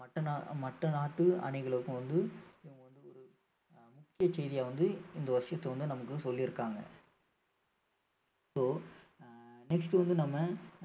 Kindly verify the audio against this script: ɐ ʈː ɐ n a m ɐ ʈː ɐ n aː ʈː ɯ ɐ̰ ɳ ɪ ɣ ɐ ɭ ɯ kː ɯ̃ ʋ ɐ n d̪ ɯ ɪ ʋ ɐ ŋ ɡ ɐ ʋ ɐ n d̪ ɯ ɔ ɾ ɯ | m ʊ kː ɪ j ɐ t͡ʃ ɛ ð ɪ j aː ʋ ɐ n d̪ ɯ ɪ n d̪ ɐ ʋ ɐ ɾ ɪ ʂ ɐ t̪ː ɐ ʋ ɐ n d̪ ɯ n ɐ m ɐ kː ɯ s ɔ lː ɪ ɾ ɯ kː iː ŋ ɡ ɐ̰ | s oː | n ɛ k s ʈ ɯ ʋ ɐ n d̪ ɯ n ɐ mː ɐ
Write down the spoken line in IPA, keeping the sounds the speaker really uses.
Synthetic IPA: ɐ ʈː ɐ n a m ɐ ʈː ɐ n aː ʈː ɯ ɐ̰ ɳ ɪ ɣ ɐ ɭ ɯ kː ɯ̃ ʋ ɐ n d̪ ɯ ɪ ʋ ɐ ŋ ɡ ɐ ʋ ɐ n d̪ ɯ ɔ ɾ ɯ | m ʊ kː ɪ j ɐ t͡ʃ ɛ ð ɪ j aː ʋ ɐ n d̪ ɯ ɪ n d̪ ɐ ʋ ɐ ɾ ɪ ʂ ɐ t̪ː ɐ ʋ ɐ n d̪ ɯ n ɐ m ɐ kː ɯ s ɔ lː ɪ ɾ ɯ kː aː ŋ ɡ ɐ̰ | s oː | n ɛ k s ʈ ɯ ʋ ɐ n d̪ ɯ n ɐ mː ɐ